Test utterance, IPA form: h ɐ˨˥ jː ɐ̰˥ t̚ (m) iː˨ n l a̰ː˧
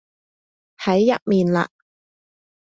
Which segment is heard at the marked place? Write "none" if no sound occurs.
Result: m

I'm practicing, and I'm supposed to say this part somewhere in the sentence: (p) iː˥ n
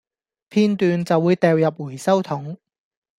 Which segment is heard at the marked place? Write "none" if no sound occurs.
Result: pʰ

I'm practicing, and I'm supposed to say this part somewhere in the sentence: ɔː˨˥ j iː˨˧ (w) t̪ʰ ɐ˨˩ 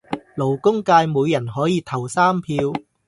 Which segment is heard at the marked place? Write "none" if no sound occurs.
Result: none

